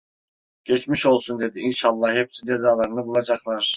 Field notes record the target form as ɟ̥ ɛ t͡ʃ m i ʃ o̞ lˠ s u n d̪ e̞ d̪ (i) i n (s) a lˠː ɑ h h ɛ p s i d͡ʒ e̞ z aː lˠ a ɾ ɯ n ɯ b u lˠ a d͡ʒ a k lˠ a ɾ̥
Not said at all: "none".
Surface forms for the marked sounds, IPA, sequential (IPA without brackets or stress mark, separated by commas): i, ʃ